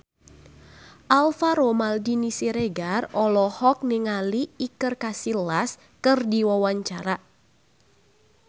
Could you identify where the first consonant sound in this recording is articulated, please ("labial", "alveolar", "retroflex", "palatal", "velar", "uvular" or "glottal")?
glottal